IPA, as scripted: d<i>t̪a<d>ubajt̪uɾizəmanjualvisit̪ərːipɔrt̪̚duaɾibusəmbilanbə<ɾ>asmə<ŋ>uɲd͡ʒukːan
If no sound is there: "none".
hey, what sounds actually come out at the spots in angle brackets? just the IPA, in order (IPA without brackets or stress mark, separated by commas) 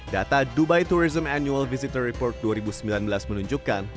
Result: a, d, l, n